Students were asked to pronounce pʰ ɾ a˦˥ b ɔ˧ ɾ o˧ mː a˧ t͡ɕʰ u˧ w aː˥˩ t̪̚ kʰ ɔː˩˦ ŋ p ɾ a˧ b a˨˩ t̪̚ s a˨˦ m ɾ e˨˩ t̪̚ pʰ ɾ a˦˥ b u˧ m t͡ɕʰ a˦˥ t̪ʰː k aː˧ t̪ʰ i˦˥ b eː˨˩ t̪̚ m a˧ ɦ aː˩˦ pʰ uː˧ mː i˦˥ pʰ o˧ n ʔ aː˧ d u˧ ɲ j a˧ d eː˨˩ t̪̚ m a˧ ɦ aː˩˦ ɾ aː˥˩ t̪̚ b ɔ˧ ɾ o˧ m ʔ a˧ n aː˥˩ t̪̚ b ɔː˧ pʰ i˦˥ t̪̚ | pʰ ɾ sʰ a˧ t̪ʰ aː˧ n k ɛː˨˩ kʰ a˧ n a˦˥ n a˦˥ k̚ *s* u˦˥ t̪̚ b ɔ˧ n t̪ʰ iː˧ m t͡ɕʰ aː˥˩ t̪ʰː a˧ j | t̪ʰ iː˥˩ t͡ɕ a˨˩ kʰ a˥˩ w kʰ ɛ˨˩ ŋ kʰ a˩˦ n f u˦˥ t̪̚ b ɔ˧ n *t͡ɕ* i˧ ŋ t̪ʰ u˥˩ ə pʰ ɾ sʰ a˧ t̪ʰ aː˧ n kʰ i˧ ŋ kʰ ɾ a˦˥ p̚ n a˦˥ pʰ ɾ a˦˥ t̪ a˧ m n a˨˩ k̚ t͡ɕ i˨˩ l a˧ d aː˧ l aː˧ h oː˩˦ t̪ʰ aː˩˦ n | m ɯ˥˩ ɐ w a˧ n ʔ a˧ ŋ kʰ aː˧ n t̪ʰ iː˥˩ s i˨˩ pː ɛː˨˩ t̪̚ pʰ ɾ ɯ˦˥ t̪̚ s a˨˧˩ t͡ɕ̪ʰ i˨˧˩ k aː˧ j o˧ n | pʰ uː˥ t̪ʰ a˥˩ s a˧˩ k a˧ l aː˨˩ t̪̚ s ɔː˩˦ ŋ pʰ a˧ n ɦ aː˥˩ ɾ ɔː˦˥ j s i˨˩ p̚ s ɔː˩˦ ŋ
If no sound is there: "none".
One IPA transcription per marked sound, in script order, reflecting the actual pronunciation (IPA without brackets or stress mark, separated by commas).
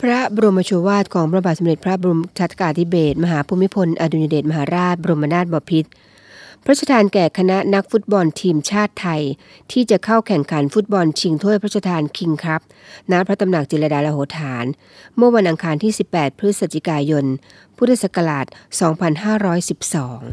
f, t͡ɕʰ